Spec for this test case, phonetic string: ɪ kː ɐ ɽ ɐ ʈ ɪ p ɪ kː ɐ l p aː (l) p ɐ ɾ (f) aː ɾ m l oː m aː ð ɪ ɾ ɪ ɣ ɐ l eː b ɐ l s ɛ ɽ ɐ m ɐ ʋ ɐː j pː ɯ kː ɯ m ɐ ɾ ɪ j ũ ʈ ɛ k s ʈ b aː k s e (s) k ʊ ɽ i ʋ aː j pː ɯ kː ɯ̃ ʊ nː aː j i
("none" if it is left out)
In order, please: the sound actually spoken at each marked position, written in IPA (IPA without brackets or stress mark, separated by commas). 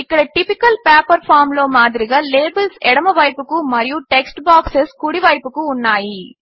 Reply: none, f, s